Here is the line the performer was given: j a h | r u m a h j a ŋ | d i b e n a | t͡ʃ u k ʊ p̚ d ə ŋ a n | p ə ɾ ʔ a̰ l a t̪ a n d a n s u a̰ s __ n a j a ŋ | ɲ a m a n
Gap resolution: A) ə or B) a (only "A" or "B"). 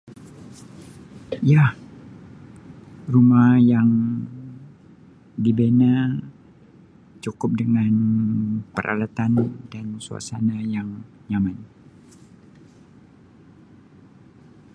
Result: B